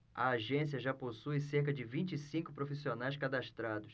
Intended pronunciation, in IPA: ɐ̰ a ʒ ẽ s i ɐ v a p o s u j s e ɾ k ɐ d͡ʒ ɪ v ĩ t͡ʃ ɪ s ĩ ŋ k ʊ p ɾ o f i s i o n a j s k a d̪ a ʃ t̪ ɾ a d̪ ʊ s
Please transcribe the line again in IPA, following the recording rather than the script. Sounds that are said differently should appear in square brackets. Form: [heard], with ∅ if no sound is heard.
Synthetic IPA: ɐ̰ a ʒ ẽ s i ɐ [ʒ] a p o s u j s e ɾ k ɐ d͡ʒ ɪ v ĩ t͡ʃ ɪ s ĩ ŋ k ʊ p ɾ o f i s i o n a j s k a d̪ a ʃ t̪ ɾ a d̪ ʊ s